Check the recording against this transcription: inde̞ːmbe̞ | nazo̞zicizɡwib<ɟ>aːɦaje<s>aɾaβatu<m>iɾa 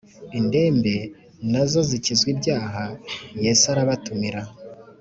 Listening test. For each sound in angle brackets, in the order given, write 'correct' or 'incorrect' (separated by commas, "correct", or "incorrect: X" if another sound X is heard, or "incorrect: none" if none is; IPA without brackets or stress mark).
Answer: correct, correct, correct